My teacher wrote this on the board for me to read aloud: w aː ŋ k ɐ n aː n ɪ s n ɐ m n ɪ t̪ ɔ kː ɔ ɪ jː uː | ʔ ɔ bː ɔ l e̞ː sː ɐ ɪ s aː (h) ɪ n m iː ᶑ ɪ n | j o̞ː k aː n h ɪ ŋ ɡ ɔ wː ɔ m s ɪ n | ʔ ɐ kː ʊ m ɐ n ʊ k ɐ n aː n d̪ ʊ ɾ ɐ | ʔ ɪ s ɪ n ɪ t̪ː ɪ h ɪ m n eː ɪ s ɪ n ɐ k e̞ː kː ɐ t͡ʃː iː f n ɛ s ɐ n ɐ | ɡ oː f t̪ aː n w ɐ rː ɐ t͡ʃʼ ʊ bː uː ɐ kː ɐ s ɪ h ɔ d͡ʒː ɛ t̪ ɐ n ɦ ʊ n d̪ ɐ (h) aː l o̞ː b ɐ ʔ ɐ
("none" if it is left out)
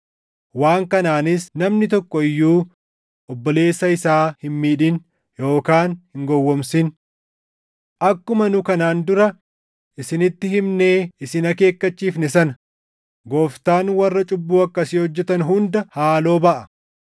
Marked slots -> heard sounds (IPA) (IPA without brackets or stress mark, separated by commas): h, h